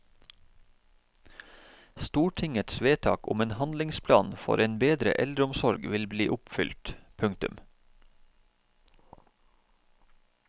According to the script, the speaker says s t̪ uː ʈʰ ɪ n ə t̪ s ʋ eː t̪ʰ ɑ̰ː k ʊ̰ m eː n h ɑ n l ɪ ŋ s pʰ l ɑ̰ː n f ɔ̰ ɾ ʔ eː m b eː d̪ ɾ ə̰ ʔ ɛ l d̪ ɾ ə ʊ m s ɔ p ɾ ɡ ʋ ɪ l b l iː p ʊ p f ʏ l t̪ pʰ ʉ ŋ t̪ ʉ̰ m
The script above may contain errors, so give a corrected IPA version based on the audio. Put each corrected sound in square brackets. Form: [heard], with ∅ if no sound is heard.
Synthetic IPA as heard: s t̪ uː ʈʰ ɪ [ŋ] ə t̪ s ʋ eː t̪ʰ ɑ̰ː k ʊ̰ m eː n h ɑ n l ɪ ŋ s pʰ l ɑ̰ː n f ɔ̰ ɾ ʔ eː [n] b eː d̪ ɾ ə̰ ʔ ɛ l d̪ ɾ ə ʊ m s ɔ [∅] ɾ ɡ ʋ ɪ l b l iː [ʔ] ʊ p f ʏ l t̪ pʰ ʉ ŋ t̪ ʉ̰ m